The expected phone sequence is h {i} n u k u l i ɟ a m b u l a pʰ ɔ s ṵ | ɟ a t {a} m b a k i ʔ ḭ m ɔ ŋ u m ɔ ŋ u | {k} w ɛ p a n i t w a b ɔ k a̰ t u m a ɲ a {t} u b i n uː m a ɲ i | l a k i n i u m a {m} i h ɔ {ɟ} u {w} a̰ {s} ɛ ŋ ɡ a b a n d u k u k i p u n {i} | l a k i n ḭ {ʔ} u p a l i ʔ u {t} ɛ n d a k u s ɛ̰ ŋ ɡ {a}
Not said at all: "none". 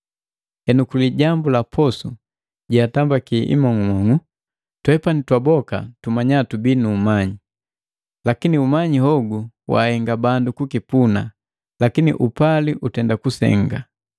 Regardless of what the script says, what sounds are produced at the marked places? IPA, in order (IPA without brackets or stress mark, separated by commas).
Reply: ɛ, a, t, t, ɲ, ɡ, w, h, a, ʔ, t, a